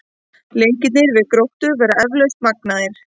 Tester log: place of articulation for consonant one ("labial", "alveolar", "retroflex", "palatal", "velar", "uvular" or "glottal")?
alveolar